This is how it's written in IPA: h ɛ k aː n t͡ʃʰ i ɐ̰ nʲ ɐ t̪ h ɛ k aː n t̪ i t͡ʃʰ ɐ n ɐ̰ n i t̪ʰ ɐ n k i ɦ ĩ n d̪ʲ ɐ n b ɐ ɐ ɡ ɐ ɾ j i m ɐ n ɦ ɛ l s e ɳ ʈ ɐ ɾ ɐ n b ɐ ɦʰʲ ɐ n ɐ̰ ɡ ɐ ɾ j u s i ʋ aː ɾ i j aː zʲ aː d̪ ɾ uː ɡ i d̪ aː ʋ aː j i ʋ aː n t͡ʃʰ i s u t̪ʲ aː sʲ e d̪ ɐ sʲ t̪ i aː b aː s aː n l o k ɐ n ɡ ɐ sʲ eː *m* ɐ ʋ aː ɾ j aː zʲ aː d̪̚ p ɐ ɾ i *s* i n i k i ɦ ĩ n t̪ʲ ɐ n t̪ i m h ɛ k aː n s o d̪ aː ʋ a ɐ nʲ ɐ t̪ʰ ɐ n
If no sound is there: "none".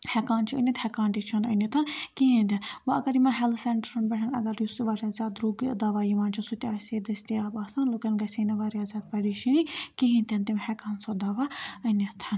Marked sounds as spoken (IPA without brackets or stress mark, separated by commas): n, ʃ